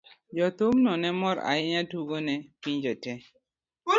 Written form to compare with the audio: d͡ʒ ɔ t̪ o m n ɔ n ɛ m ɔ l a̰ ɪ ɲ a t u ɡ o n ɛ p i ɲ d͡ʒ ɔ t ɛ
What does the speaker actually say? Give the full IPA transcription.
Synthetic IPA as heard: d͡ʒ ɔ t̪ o m n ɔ n ɛ m ɔ ɾ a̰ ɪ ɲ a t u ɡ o n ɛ p i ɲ d͡ʒ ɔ t ɛ